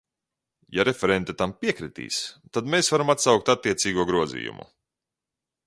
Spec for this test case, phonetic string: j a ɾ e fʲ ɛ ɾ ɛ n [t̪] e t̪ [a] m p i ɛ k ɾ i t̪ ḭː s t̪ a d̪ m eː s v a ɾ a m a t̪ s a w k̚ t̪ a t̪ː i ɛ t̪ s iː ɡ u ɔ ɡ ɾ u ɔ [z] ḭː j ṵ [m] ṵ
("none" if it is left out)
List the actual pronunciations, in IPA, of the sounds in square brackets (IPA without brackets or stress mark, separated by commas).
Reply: t̪, a, z, m